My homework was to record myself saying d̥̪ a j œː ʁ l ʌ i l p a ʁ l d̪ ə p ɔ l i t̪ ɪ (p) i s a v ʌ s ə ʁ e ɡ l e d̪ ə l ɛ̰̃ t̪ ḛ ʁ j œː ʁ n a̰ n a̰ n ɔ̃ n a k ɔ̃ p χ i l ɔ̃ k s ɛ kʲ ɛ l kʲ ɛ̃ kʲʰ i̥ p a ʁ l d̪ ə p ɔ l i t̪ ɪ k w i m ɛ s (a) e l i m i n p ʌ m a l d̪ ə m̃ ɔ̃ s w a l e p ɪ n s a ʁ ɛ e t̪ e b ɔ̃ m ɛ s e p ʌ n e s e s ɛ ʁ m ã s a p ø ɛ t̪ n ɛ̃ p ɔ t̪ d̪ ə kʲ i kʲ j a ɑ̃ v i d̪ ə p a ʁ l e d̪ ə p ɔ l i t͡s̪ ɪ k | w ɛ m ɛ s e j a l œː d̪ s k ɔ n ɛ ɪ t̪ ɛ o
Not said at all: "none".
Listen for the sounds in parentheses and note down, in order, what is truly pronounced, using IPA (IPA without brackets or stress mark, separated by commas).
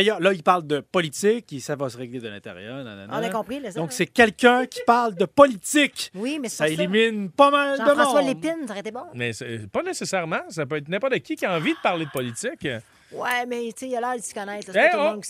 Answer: k, a